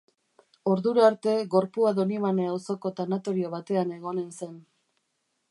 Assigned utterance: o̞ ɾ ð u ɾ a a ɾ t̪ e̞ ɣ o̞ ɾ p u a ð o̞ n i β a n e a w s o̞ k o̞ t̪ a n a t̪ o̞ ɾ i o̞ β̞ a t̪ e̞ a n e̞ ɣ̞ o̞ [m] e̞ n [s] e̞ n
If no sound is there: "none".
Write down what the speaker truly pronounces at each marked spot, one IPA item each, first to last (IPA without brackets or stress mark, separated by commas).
n, s